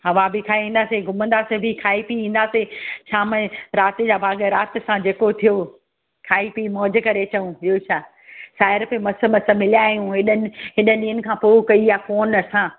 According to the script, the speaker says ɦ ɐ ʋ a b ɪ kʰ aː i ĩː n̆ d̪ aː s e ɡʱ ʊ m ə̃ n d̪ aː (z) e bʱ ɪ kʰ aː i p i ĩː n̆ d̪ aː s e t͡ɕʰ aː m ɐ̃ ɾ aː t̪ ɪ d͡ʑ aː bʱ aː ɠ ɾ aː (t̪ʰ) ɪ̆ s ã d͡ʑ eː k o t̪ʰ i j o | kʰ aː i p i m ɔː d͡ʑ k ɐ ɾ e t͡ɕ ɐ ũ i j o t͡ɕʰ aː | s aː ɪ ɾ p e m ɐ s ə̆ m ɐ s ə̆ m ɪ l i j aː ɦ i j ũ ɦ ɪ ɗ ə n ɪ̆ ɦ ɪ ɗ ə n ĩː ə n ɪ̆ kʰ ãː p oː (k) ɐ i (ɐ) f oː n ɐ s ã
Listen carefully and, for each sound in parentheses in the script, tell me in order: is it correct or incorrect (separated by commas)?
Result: incorrect, incorrect, correct, incorrect